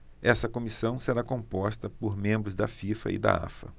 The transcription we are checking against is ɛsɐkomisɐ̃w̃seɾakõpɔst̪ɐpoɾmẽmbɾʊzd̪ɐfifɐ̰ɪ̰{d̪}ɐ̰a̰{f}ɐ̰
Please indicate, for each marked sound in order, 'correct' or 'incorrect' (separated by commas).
correct, correct